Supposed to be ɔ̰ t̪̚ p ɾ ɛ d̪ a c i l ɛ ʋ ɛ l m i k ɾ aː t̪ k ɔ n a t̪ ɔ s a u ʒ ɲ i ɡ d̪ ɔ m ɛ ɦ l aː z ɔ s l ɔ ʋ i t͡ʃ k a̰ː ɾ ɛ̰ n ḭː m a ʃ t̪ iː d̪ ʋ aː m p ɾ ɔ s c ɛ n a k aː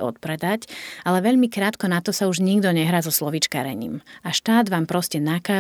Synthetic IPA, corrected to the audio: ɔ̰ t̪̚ p ɾ ɛ d̪ a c a l ɛ ʋ ɛ ʎ m i k ɾ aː t̪ k ɔ n a t̪ ɔ s a u ʒ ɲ i ɡ d̪ ɔ ɲ ɛ ɦ ɾ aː z ɔ s l ɔ ʋ i t͡ʃ k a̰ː ɾ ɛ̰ ɲ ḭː m a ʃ t̪ aː d̪ ʋ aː m p ɾ ɔ s c ɛ n a k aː